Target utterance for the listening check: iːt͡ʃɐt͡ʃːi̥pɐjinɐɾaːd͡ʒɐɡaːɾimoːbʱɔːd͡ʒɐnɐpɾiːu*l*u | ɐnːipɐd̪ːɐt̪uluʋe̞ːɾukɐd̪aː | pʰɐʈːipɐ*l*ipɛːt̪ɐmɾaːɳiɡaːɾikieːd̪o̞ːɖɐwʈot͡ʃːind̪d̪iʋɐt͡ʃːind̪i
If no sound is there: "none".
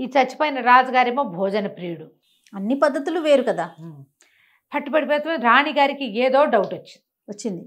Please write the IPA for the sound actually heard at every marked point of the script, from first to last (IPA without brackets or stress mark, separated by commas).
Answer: ɽ, ɽ